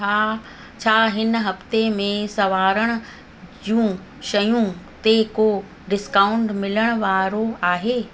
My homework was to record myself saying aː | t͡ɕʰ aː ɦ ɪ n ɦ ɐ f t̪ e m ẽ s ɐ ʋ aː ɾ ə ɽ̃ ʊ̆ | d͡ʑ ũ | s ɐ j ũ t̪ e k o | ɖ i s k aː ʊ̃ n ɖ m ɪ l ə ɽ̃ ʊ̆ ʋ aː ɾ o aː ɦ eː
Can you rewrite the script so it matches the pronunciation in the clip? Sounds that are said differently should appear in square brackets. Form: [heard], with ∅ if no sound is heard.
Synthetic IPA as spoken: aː | t͡ɕʰ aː ɦ ɪ n ɦ ɐ f t̪ e m ẽ s ɐ ʋ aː ɾ ə ɽ̃ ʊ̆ | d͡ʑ ũ | [ʃ] ɐ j ũ t̪ e k o | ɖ [ɪ] s k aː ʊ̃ [ɳ] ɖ m ɪ l ə ɽ̃ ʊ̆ ʋ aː ɾ o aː ɦ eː